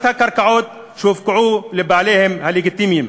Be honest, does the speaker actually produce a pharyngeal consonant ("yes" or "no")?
yes